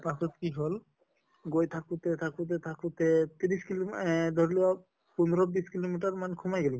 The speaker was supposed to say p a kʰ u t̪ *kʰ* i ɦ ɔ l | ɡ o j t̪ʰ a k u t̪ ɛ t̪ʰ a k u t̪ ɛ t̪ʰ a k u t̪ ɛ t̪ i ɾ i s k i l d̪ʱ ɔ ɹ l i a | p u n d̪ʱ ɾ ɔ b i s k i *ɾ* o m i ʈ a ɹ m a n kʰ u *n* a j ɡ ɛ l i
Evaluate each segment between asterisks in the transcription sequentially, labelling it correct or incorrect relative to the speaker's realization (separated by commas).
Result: incorrect, incorrect, incorrect